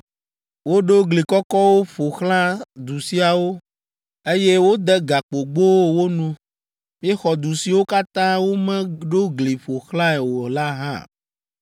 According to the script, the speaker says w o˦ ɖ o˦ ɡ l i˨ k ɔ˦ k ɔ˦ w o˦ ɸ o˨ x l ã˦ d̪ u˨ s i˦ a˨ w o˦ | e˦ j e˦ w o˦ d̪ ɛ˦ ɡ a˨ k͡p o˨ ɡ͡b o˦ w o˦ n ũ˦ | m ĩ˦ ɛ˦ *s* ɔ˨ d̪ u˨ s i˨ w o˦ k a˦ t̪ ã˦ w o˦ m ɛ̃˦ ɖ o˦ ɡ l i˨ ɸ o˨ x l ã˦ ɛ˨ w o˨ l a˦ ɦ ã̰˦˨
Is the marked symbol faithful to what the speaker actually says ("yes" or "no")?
no